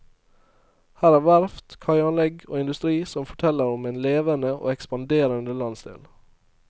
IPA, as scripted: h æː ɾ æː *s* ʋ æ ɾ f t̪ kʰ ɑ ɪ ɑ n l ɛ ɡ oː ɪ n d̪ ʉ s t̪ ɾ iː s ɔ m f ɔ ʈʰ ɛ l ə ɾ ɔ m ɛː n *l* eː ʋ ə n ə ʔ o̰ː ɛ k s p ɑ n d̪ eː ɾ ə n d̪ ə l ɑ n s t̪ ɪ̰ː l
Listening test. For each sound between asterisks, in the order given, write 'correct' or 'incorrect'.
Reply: incorrect: none, correct

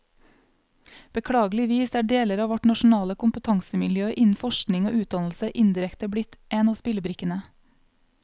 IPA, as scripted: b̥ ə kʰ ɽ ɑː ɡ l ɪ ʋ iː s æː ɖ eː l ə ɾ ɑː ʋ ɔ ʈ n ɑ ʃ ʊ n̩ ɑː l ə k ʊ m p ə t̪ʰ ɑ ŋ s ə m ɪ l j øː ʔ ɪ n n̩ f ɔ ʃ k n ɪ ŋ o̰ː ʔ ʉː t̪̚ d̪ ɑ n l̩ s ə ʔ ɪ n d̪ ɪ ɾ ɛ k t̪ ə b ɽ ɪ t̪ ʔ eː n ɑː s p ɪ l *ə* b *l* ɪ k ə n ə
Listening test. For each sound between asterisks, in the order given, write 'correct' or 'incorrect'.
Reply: correct, incorrect: ɾ

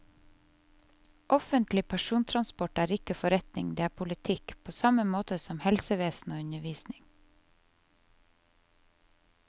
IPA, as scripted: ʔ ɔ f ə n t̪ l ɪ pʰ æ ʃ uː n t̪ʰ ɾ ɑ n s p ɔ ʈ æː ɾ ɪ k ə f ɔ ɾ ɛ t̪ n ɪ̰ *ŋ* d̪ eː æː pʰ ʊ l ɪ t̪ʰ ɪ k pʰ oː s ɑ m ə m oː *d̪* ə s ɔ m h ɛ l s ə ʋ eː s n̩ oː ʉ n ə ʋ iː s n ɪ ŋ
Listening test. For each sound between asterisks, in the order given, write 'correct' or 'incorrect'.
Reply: correct, incorrect: t̪

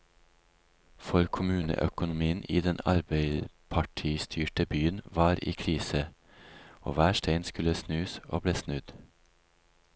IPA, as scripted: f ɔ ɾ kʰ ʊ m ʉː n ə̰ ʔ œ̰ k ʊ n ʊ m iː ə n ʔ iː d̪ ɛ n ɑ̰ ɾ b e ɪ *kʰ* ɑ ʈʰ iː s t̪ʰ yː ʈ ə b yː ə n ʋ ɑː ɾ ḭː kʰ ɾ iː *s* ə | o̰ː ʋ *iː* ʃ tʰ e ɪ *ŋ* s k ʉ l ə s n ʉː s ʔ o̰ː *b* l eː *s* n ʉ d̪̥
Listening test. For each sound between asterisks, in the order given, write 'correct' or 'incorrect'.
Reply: incorrect: pʰ, correct, incorrect: æː, incorrect: n, correct, correct

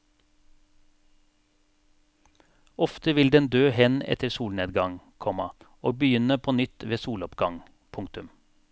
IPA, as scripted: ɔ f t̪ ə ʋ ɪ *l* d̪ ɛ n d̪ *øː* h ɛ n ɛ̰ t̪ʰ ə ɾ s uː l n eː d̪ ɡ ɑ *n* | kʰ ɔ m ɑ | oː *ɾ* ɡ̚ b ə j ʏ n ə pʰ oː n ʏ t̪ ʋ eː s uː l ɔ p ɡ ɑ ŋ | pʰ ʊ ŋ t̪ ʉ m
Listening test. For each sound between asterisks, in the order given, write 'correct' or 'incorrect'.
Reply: correct, correct, incorrect: ŋ, incorrect: none

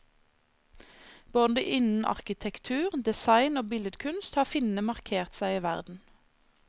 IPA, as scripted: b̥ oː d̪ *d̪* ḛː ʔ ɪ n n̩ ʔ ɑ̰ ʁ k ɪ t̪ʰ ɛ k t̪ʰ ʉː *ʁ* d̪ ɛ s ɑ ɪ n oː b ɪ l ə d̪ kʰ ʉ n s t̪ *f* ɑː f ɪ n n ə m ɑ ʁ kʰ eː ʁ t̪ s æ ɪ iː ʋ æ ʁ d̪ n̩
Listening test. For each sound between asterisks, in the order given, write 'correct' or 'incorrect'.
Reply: correct, correct, incorrect: h

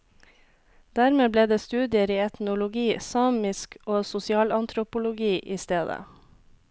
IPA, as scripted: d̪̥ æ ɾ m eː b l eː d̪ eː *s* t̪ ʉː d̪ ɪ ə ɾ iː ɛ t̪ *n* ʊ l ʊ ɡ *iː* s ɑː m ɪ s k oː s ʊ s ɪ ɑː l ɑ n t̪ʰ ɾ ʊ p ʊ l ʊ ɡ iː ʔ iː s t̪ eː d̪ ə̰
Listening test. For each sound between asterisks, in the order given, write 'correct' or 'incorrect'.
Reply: correct, correct, correct

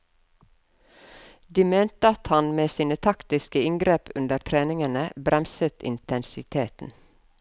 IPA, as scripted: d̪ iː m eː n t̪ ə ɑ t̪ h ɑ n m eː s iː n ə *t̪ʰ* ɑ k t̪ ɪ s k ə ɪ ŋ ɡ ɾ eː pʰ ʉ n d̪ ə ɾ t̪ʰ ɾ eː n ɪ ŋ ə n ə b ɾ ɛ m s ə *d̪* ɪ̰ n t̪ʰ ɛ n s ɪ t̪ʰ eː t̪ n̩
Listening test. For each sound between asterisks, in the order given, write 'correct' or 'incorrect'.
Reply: correct, incorrect: t̪

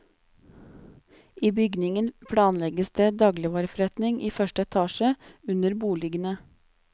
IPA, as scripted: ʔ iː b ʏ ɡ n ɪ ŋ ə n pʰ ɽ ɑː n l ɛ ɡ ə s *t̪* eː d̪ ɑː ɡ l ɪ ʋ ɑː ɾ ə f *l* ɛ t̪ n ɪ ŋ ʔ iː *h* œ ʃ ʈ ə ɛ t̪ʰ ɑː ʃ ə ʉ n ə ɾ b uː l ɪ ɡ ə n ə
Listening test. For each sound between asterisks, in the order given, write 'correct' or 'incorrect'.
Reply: incorrect: d̪, incorrect: ɾ, incorrect: f

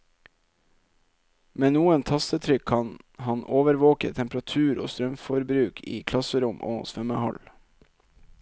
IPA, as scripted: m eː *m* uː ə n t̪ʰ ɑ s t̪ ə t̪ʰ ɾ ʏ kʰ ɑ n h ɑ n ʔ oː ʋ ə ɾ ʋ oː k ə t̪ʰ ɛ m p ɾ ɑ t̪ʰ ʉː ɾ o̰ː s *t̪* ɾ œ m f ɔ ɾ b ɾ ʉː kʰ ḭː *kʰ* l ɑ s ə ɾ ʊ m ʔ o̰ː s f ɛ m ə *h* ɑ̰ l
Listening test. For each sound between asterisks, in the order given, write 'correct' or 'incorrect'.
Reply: incorrect: n, correct, correct, correct

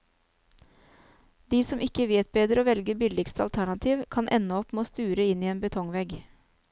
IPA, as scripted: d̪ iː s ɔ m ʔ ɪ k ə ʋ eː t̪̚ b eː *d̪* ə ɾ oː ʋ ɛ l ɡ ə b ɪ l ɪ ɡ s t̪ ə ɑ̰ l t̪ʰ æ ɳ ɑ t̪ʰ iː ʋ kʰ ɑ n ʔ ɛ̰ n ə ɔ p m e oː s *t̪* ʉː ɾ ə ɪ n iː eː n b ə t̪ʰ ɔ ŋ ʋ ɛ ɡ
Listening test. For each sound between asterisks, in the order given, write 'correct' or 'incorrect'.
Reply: correct, correct

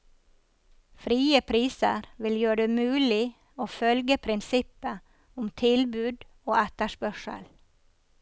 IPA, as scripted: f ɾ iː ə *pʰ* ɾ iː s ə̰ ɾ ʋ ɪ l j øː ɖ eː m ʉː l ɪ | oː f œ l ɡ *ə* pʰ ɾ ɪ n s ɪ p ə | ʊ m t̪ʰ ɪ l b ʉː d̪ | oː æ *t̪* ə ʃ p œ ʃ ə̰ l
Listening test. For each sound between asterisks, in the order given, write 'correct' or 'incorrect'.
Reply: correct, correct, correct

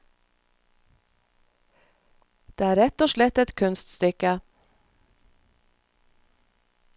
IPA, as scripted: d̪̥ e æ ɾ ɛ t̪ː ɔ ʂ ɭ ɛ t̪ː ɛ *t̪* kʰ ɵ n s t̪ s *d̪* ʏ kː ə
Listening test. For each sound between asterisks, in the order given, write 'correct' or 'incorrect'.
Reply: correct, incorrect: t̪

